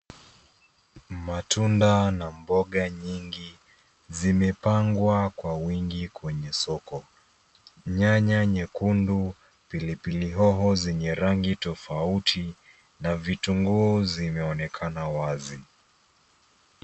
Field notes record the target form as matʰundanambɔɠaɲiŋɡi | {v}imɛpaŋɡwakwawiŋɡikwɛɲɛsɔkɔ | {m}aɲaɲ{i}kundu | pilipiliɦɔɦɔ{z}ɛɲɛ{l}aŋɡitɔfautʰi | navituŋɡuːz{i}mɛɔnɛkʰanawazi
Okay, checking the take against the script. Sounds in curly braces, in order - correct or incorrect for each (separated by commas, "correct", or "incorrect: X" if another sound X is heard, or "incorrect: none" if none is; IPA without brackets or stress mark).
incorrect: z, incorrect: ɲ, incorrect: ɛ, correct, incorrect: ɾ, correct